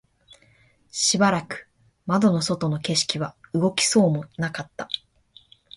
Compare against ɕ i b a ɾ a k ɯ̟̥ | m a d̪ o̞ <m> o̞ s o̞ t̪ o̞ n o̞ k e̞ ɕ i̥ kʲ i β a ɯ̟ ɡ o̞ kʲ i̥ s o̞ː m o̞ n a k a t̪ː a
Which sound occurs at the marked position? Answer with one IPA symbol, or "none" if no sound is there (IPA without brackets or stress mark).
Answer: n